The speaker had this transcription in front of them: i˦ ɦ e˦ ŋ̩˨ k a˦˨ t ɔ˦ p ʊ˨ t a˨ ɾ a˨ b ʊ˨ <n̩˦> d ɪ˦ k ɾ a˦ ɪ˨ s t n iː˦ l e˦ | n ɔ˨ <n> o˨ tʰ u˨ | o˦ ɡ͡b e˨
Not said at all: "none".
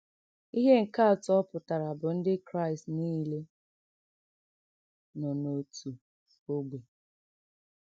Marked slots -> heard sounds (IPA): n̩˦, n

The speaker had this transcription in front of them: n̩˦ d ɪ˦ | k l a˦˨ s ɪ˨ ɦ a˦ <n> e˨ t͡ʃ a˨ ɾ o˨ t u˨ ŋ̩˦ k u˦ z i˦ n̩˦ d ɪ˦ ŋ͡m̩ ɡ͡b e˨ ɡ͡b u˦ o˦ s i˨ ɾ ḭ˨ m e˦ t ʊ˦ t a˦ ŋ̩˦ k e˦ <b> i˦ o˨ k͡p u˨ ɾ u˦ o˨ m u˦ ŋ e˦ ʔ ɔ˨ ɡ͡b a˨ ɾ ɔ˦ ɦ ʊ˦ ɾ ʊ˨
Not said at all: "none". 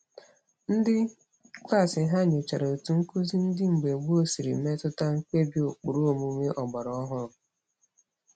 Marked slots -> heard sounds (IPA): ɲ, b

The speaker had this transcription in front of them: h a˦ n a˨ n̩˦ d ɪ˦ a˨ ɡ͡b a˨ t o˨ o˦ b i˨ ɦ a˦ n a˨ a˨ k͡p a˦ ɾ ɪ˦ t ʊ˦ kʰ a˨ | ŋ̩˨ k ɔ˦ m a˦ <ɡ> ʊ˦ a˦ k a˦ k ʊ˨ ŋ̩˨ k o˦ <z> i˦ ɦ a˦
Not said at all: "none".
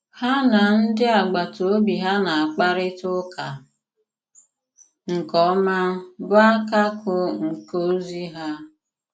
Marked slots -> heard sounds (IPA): b, z

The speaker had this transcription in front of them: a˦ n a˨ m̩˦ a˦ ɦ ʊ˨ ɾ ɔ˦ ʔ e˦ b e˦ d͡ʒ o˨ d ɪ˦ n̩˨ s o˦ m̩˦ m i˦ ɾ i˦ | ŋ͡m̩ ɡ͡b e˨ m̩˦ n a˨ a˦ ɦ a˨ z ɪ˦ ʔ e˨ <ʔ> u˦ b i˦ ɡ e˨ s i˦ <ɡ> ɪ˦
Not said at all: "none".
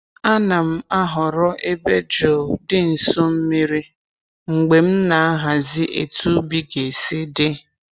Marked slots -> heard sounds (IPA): t, d

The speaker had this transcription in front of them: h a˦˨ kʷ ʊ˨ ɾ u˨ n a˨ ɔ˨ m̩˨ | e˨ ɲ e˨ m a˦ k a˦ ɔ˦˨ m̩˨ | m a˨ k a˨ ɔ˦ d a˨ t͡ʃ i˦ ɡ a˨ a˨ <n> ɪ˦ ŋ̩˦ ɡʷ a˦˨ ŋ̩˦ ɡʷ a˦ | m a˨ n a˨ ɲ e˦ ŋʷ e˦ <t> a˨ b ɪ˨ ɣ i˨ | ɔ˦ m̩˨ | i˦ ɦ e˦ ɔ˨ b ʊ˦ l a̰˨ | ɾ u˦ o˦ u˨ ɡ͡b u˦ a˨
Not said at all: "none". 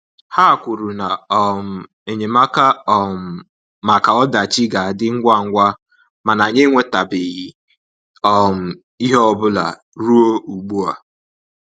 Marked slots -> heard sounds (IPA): d, t

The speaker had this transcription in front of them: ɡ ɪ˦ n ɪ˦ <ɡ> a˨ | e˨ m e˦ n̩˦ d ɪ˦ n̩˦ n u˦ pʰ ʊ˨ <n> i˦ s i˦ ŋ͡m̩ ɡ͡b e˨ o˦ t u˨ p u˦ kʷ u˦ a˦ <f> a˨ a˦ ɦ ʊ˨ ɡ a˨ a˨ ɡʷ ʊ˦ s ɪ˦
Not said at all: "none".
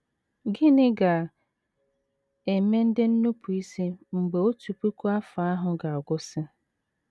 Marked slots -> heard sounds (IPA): ɡ, none, f

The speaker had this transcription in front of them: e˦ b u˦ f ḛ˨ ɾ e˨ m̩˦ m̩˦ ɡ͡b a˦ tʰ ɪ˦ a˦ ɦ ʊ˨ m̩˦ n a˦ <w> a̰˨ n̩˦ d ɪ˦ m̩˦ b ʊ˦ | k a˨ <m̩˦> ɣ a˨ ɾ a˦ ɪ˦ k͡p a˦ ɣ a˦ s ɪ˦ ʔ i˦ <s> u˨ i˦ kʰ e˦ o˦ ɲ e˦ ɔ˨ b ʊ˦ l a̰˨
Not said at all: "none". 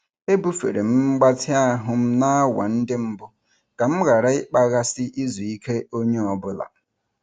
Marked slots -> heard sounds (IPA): w, m̩˦, z

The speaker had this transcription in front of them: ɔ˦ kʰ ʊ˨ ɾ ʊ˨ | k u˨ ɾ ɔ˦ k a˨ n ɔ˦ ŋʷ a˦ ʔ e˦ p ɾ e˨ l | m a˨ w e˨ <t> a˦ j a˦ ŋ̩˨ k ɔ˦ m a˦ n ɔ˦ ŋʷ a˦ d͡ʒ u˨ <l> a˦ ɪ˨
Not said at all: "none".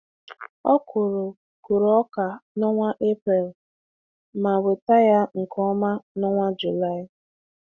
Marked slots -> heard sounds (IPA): t, l

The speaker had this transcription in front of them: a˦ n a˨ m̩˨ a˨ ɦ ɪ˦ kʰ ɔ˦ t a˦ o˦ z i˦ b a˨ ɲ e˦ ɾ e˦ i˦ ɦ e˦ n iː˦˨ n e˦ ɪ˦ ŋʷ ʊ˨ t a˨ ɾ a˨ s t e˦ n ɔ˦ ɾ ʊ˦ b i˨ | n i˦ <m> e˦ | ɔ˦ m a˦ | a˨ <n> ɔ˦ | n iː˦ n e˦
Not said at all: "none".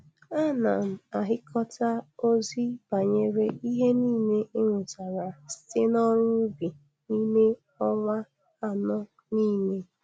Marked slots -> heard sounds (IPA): n, n

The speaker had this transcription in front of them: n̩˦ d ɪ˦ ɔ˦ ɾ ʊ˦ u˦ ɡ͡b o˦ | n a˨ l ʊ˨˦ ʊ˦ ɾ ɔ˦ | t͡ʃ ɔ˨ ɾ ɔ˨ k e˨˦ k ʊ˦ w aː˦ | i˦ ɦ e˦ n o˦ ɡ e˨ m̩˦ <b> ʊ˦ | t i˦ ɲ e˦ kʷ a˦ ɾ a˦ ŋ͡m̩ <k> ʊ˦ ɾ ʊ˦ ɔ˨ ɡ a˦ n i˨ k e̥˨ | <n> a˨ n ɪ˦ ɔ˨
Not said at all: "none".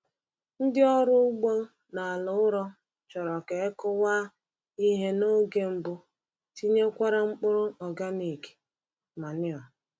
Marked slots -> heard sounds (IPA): b, k͡p, m

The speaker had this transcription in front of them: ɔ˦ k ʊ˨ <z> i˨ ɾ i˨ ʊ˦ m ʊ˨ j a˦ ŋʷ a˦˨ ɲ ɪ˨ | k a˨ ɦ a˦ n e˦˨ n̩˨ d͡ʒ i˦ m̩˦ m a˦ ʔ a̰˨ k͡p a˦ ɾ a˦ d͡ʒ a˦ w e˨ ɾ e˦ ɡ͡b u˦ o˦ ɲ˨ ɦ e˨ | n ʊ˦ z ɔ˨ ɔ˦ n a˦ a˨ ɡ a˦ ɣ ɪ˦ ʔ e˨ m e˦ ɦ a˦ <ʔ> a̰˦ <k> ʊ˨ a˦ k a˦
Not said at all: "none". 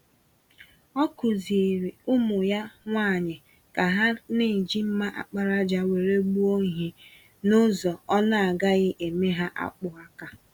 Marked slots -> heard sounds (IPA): z, ʔ, k͡p

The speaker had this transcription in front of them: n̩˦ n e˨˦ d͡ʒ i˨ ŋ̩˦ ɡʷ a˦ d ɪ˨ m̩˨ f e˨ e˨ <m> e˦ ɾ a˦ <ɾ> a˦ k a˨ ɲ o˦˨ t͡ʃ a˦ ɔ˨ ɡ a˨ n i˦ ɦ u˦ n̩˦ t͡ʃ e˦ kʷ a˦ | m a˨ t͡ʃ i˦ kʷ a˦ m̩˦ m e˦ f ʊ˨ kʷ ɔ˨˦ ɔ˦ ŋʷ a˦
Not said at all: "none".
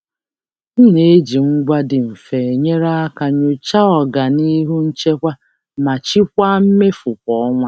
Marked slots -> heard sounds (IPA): ɲ, none

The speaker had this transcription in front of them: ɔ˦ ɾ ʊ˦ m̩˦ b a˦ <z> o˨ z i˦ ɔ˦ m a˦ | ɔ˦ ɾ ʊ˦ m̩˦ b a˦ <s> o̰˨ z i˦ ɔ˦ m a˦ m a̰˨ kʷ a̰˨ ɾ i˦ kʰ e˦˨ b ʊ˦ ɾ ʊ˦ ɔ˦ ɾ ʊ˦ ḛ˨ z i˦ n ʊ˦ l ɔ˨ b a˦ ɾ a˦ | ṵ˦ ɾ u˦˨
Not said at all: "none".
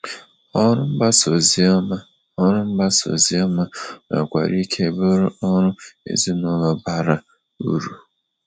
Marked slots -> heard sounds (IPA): s, s

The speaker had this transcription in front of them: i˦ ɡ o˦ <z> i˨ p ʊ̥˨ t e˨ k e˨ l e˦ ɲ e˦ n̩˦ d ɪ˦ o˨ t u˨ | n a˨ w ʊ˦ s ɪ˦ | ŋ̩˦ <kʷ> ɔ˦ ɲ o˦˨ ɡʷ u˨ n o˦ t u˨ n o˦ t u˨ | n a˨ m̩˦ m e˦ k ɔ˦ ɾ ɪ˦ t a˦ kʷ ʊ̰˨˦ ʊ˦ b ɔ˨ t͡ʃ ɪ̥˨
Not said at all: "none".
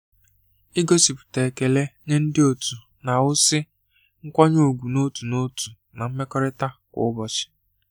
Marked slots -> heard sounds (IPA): s, kʷ

